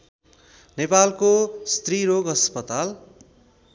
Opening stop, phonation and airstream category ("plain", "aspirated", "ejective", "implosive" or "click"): plain